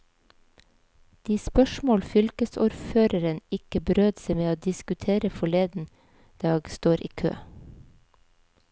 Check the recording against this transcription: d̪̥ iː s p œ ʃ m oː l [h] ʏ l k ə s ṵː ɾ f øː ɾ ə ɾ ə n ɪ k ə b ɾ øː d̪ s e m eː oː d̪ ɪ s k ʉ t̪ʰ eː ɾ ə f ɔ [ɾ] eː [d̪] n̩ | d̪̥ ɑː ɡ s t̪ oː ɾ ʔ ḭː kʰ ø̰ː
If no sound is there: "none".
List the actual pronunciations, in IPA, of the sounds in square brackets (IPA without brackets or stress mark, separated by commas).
f, ɭ, d̪